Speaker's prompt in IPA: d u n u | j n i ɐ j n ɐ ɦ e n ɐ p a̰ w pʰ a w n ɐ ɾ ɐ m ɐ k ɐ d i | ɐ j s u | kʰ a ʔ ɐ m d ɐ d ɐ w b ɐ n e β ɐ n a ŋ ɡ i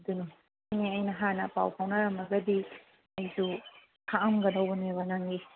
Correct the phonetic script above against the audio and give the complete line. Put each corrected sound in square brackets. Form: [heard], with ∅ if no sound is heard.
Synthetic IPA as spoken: d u n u | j n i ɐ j n ɐ ɦ [a] n ɐ p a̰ w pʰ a w n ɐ ɾ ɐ m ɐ [ɡ] ɐ d i | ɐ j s u | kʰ a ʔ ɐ m [ɡ] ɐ d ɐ w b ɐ n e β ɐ n a ŋ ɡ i